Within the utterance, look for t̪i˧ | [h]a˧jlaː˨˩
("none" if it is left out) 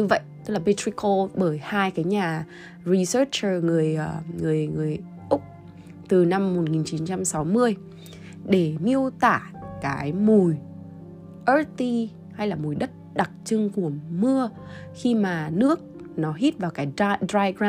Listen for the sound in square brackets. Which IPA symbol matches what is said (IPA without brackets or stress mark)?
h